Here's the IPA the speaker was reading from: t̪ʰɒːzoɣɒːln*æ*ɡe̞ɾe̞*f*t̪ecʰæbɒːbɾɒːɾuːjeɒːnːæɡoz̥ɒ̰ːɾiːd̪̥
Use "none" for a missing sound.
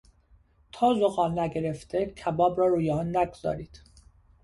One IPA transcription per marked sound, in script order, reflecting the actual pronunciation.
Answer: æ, f

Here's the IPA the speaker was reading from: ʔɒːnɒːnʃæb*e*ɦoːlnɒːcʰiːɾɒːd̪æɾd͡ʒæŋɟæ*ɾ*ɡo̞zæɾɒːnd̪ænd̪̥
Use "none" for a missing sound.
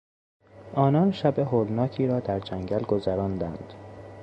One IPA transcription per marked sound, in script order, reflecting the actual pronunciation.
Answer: e, l

